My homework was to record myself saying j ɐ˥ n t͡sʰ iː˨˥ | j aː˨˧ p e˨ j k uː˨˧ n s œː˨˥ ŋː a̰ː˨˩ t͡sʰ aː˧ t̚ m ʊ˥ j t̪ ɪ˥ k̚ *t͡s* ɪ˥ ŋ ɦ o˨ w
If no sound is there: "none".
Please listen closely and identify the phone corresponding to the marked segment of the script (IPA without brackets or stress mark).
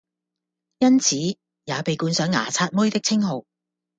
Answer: t͡sʰ